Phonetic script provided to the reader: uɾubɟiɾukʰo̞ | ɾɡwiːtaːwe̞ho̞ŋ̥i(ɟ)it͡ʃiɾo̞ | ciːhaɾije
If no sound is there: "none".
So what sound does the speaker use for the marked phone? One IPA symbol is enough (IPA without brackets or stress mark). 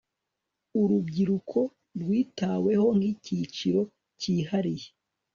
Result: c